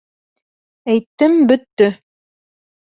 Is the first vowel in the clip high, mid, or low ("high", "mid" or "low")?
low